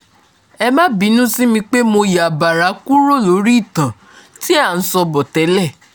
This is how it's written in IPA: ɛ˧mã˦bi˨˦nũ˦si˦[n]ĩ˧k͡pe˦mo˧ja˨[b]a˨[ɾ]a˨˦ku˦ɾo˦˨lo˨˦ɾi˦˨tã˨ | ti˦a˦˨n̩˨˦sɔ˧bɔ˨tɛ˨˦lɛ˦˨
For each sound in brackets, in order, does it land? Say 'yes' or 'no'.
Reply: no, yes, yes

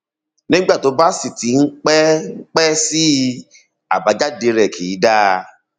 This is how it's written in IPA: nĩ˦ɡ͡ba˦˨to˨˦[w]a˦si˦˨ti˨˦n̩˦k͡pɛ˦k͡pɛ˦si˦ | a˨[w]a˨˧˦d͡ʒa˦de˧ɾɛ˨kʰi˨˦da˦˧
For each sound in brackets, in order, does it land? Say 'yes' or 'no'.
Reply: no, no

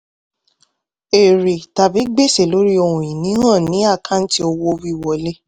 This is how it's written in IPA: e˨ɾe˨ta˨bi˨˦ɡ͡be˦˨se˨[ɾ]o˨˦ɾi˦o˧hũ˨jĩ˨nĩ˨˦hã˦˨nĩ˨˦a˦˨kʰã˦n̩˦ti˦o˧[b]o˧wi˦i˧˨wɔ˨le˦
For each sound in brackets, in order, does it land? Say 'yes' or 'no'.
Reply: no, no

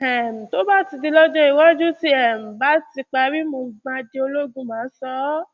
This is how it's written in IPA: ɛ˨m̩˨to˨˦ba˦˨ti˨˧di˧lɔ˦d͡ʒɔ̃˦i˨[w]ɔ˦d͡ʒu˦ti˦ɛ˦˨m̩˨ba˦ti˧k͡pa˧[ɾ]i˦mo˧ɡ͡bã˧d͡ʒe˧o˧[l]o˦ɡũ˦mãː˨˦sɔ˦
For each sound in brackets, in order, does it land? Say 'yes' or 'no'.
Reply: yes, yes, yes

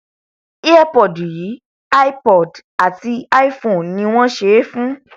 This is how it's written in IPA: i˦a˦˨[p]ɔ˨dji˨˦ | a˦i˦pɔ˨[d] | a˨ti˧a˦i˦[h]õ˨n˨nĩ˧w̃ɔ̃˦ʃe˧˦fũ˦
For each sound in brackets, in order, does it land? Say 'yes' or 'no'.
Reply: yes, yes, no

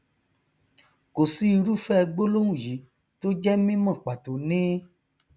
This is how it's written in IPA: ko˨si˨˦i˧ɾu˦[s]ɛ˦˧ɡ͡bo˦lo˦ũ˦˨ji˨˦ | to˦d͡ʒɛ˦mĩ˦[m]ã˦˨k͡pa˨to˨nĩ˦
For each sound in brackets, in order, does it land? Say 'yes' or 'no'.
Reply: no, yes

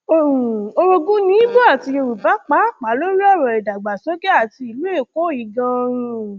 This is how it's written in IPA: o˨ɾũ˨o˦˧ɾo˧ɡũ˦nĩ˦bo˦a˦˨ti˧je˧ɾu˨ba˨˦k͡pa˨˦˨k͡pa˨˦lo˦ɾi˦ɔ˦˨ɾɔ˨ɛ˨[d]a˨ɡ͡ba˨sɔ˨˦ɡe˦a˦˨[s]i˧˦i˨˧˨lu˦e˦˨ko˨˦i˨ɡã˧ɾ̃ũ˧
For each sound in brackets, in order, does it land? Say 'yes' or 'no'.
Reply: yes, no

